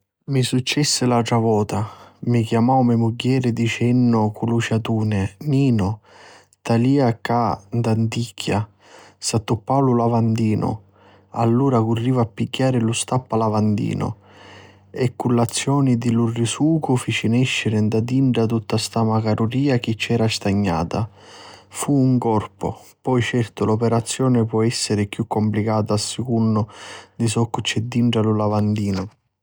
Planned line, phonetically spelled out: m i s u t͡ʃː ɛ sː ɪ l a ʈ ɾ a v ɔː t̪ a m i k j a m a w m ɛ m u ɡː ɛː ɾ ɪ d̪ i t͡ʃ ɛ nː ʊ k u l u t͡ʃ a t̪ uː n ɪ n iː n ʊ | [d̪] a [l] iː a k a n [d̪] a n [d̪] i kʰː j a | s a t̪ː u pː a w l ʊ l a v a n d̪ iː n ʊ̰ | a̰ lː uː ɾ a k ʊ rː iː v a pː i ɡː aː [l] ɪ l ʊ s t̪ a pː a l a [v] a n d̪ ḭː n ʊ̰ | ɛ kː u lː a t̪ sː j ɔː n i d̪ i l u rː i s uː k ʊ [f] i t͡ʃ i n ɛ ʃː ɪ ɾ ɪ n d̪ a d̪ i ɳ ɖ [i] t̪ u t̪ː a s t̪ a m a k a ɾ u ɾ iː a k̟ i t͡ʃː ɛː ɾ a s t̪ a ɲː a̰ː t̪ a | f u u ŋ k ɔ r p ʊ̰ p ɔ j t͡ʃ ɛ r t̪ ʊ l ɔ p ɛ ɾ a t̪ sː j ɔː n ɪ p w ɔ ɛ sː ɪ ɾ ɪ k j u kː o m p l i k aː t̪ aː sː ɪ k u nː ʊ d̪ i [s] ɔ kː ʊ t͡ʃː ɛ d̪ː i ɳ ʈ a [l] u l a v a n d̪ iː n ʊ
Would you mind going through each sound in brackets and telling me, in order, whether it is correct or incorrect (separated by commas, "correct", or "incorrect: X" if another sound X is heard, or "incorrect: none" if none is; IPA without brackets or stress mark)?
incorrect: t̪, correct, correct, incorrect: t̪, incorrect: ɾ, correct, correct, incorrect: a, correct, correct